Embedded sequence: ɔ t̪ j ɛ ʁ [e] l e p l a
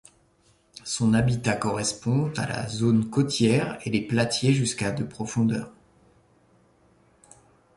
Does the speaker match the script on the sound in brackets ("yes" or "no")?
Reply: yes